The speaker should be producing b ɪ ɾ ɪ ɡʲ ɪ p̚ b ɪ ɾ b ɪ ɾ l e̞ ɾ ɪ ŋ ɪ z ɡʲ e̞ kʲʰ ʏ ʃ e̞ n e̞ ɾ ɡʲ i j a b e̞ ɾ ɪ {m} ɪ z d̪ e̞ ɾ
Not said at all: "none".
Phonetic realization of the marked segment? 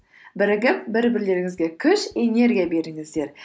ŋ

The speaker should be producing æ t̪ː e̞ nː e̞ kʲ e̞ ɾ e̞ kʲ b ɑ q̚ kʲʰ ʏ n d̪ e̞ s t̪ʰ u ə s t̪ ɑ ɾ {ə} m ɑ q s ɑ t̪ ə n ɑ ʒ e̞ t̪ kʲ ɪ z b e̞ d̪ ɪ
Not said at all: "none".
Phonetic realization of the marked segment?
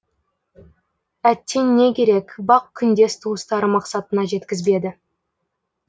ə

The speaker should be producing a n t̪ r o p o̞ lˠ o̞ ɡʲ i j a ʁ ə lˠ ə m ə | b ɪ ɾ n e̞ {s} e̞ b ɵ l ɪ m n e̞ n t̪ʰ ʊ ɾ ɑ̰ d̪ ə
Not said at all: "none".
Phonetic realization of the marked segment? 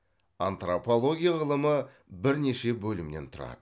ʃ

